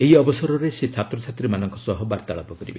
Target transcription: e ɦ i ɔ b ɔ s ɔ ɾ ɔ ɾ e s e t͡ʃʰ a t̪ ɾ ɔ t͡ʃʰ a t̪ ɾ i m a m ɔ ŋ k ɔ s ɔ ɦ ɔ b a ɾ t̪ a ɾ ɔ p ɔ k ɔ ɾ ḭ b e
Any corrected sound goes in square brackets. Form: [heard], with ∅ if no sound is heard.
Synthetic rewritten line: e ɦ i ɔ b ɔ s ɔ ɾ ɔ ɾ e s e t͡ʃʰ a t̪ ɾ ɔ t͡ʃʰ a t̪ ɾ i m a [n] ɔ ŋ k ɔ s ɔ ɦ ɔ b a ɾ t̪ a [ɭ] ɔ p ɔ k ɔ ɾ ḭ b e